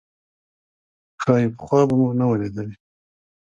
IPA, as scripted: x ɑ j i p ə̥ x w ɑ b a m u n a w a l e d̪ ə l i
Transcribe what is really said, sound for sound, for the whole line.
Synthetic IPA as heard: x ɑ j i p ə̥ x w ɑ b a m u n a w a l e d̪ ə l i